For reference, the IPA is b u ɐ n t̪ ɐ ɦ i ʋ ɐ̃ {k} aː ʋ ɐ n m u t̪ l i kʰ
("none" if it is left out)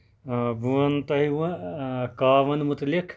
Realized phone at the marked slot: k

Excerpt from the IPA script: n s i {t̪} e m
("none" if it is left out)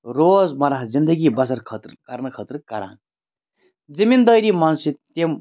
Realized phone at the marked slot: t̪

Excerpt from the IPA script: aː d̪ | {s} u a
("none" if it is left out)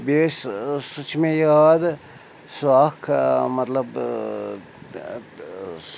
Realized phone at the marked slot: s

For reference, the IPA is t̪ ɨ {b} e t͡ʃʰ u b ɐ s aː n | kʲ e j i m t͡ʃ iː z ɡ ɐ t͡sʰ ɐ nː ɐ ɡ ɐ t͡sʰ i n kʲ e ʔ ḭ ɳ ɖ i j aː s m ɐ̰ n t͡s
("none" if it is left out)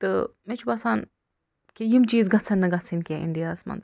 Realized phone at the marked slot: m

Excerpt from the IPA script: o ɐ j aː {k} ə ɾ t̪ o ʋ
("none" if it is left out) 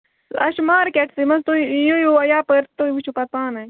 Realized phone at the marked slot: p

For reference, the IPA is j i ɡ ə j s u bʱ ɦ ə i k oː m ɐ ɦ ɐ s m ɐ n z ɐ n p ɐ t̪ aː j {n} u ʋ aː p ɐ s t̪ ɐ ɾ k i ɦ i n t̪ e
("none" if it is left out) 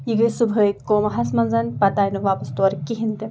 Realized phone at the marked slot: n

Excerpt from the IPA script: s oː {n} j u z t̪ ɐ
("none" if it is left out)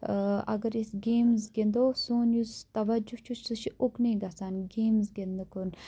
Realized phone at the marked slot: n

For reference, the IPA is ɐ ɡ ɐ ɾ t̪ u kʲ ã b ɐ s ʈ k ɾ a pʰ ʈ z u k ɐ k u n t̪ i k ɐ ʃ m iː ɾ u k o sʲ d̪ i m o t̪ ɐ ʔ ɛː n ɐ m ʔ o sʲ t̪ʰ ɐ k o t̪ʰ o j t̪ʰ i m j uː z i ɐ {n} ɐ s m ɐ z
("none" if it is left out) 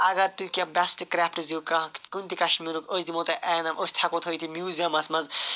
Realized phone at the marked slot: m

